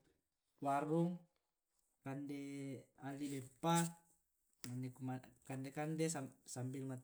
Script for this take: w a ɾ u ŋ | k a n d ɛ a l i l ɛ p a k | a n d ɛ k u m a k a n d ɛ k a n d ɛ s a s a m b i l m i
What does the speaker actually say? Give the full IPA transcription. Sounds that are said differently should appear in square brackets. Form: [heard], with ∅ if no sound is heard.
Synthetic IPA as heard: w a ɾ u ŋ | k a n d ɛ a l i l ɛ p a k | a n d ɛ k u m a k a n d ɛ k a n d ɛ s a s a m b i l m [a]

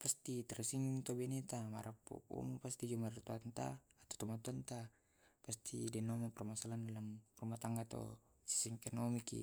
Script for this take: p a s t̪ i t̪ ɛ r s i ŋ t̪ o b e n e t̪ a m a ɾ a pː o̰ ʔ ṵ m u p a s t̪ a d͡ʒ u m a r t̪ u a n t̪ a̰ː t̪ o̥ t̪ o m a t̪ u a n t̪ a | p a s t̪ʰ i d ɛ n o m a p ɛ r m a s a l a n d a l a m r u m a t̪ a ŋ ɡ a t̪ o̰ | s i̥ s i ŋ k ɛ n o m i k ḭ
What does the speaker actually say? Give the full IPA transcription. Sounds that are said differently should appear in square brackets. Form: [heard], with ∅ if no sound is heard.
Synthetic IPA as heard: p a s t̪ i t̪ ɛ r s i ŋ t̪ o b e n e t̪ a m a ɾ a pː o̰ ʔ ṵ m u p a s t̪ [i] d͡ʒ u m a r t̪ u a n t̪ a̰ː t̪ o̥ t̪ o m a t̪ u a n t̪ a | p a s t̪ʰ i d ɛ n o m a p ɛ r m a s a l a n d a l a m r u m a t̪ a ŋ ɡ a t̪ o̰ | s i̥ s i ŋ k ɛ n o m i k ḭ

